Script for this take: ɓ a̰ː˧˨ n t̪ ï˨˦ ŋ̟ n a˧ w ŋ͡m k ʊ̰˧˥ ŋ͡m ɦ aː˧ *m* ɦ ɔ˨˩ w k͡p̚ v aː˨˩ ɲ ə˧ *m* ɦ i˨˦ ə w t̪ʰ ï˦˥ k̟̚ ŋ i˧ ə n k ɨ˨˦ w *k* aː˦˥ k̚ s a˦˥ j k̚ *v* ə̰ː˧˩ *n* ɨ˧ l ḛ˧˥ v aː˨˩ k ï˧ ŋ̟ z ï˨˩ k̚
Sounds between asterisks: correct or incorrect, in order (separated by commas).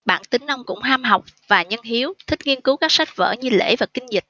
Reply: correct, incorrect, correct, correct, incorrect